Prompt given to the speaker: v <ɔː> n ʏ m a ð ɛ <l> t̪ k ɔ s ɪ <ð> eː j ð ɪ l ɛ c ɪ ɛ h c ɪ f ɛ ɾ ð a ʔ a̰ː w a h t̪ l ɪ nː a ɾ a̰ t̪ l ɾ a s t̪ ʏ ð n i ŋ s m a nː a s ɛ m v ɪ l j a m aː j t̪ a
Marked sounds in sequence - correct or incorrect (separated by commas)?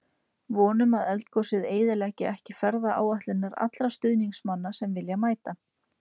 correct, correct, correct